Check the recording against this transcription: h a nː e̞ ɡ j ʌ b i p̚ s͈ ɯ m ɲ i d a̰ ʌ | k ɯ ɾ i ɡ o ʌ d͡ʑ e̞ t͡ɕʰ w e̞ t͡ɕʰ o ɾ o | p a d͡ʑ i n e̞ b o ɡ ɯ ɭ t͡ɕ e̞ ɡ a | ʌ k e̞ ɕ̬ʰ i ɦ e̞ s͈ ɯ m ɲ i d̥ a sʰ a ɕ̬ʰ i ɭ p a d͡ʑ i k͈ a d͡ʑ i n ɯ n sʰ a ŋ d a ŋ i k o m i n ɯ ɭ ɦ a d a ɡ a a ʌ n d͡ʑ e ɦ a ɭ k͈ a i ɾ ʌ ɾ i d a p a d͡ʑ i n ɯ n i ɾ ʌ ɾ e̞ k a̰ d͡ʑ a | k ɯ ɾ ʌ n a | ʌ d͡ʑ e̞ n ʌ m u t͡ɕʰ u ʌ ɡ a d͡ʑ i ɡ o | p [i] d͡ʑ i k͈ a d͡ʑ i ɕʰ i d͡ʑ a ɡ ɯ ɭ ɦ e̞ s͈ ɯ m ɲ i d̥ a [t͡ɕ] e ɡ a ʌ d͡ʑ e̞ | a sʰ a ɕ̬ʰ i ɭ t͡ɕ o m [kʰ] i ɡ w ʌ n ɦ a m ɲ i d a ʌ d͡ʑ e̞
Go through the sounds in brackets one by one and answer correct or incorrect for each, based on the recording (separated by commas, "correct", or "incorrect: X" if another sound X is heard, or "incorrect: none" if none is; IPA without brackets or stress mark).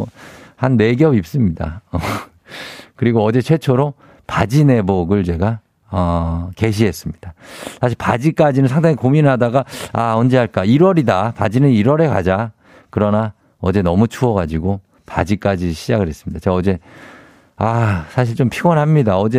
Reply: incorrect: a, correct, incorrect: pʰ